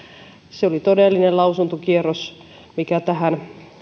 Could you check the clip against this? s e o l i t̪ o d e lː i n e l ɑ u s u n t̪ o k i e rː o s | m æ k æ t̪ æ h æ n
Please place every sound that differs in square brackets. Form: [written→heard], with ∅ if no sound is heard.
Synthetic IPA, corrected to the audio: s e o l i t̪ o d e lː i n e l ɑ u s u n t̪ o k i e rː o s | m [æ→i] k æ t̪ æ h æ n